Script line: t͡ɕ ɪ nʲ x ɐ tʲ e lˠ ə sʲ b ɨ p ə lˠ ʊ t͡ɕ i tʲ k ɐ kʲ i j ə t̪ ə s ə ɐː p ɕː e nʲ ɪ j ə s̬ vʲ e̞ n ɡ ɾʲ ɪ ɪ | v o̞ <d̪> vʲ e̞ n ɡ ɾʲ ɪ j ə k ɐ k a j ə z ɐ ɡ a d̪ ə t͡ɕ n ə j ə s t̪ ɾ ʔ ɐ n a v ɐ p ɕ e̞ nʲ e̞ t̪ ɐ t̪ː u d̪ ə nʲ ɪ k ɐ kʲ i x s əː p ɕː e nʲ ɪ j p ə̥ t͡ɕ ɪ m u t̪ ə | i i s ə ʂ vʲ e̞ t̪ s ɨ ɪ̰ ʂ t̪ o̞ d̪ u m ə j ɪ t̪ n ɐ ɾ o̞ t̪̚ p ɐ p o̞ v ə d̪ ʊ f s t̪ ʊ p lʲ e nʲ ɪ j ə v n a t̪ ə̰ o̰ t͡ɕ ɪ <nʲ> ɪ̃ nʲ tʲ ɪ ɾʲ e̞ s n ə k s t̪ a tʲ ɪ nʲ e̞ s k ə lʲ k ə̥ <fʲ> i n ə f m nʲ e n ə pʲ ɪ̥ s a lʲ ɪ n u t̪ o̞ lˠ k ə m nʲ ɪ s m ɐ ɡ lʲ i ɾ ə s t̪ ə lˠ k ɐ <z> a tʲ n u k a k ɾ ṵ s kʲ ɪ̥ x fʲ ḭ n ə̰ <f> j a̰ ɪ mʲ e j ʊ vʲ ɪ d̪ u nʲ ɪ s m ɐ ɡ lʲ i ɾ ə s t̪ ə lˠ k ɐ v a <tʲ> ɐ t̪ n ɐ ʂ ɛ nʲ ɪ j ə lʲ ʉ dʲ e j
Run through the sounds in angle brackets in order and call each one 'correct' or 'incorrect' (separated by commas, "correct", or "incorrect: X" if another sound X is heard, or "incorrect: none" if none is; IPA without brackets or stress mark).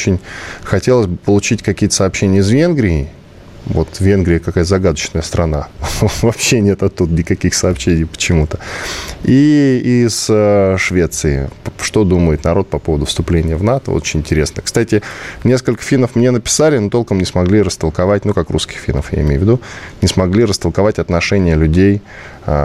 incorrect: t̪, correct, correct, incorrect: v, correct, correct